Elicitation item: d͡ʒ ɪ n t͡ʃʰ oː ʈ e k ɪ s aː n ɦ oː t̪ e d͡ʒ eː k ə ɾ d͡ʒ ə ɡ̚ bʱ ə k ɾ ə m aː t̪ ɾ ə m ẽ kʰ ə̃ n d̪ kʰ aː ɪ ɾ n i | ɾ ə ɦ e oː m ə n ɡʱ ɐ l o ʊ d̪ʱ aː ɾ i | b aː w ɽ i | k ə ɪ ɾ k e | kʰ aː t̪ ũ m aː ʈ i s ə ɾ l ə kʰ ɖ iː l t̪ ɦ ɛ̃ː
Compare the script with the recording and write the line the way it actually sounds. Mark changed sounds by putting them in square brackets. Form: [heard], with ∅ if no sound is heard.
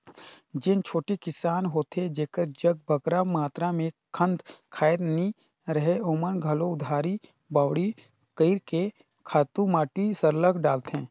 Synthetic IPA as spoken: d͡ʒ ɪ n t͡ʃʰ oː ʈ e k ɪ s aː n ɦ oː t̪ e d͡ʒ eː k ə ɾ d͡ʒ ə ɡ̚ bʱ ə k ɾ [a] m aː t̪ ɾ [a] m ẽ kʰ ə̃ n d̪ kʰ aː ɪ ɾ n i | ɾ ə ɦ e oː m ə n ɡʱ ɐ l o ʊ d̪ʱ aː ɾ i | b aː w ɽ i | k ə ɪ ɾ k e | kʰ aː t̪ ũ m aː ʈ i s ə ɾ l ə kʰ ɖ [aː] l t̪ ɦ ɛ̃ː

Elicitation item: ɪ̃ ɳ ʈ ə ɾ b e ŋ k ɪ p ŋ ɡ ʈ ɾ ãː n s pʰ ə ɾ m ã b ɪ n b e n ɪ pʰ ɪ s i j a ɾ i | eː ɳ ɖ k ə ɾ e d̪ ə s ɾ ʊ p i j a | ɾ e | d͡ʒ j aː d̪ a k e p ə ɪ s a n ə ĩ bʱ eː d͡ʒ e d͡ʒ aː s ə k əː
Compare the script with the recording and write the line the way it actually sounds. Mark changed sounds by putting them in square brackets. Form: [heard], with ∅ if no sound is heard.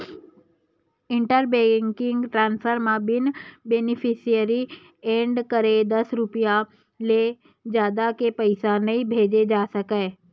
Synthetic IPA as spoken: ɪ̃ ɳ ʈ ə ɾ b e ŋ k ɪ [∅] ŋ ɡ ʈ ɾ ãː n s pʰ ə ɾ m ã b ɪ n b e n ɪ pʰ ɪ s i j [ə] ɾ i | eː ɳ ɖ k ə ɾ e d̪ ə s ɾ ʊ p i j a | [l] e | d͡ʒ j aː d̪ a k e p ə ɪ s a n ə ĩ bʱ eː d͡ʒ e d͡ʒ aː s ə k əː

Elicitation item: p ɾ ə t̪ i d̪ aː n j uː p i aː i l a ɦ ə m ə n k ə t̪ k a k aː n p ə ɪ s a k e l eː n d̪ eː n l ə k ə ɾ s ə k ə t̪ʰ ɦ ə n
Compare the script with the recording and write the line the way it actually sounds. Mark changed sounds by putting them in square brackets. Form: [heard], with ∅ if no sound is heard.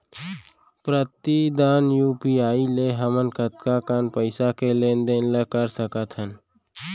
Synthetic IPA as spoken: p ɾ ə t̪ i d̪ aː n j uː p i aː i l [e] ɦ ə m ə n k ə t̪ k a k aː n p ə ɪ s a k e l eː n d̪ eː n l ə k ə ɾ s ə k ə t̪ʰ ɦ ə n

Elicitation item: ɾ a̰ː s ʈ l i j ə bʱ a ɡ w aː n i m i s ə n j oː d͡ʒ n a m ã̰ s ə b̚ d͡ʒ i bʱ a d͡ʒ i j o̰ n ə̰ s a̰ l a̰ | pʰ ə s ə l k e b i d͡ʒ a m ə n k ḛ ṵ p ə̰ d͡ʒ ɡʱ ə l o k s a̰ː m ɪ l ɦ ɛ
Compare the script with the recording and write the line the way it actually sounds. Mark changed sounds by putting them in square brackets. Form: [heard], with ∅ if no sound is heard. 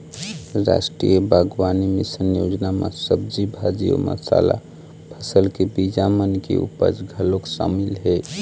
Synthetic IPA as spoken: ɾ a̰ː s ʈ [ɾ] i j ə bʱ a ɡ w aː n i m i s ə n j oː d͡ʒ n a m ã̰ s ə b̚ d͡ʒ i bʱ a d͡ʒ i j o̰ [m] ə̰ s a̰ l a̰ | pʰ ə s ə l k e b i d͡ʒ a m ə n k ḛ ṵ p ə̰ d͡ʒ ɡʱ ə l o k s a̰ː m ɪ l ɦ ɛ

